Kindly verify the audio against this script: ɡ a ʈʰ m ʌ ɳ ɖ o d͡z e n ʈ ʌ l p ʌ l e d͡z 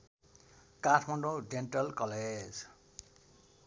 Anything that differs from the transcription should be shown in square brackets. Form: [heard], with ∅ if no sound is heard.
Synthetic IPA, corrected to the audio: [k] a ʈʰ m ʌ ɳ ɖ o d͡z e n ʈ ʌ l [k] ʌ l e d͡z